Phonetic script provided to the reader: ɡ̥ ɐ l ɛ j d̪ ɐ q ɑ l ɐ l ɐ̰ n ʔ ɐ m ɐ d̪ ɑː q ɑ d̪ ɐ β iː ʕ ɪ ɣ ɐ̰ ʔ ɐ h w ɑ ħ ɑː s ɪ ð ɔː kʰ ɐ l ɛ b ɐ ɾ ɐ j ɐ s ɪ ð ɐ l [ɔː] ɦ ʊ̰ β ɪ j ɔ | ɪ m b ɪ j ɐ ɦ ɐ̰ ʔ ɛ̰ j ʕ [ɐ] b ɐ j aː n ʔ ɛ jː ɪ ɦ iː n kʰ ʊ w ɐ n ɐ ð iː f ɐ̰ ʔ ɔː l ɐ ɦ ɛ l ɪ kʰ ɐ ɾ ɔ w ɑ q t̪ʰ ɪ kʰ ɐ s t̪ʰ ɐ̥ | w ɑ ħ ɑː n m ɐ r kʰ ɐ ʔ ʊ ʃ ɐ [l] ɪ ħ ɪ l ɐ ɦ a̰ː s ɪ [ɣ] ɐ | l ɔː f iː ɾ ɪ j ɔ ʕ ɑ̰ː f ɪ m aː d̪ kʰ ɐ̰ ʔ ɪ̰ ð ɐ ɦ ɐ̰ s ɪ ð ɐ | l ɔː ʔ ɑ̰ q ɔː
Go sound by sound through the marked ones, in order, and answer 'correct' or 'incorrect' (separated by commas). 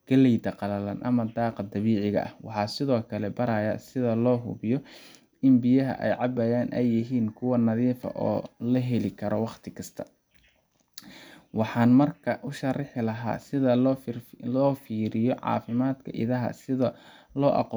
correct, incorrect, incorrect, incorrect